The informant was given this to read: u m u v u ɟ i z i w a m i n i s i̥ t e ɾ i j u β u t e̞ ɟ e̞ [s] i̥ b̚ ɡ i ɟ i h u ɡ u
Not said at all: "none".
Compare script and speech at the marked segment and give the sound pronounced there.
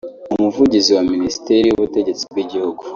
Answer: t͡s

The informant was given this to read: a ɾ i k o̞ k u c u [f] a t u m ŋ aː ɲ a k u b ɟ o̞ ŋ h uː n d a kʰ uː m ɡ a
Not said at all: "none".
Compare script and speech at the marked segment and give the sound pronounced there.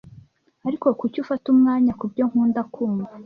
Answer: f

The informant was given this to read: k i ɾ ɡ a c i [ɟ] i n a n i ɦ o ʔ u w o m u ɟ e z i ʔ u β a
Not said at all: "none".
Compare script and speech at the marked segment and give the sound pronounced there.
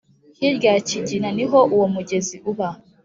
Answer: ɟ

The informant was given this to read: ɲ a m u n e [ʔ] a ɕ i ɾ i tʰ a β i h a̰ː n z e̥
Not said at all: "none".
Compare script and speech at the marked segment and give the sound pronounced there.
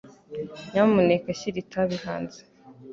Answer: k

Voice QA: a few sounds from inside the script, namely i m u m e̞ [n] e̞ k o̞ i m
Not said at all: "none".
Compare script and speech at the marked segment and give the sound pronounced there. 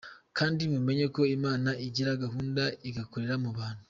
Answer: ɲ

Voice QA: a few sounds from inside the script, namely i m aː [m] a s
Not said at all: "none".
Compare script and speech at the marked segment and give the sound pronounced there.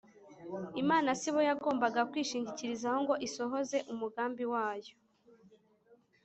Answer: n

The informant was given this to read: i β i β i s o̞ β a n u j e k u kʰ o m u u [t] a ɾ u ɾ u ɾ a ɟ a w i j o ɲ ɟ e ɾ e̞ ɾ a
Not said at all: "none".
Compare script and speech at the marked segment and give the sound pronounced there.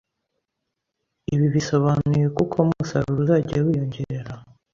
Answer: s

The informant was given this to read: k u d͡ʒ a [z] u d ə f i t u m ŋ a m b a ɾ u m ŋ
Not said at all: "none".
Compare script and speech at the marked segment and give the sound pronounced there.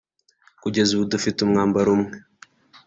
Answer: z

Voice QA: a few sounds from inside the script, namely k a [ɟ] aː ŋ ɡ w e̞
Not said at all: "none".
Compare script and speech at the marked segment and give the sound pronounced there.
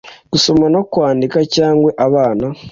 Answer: c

